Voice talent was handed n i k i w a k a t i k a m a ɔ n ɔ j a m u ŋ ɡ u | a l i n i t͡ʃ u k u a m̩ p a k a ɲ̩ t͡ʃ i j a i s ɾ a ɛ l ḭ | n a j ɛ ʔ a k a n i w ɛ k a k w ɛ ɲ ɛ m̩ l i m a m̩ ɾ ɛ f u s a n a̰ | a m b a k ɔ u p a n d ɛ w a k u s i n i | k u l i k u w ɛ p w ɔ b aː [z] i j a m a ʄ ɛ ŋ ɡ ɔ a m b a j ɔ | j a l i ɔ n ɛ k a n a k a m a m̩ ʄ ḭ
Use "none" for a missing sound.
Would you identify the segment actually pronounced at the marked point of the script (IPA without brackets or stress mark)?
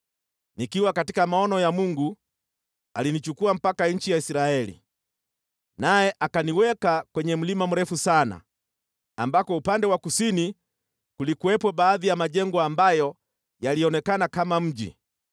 ð